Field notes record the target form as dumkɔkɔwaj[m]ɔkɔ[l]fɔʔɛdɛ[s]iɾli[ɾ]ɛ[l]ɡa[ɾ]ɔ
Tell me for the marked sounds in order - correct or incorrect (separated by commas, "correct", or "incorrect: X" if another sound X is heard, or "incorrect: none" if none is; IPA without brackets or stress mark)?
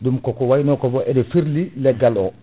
incorrect: n, incorrect: none, incorrect: f, incorrect: l, incorrect: none, incorrect: l